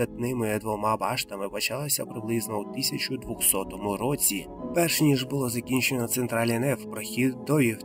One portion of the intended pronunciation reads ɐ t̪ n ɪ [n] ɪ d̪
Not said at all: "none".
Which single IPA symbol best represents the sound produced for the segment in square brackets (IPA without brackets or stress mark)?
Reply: m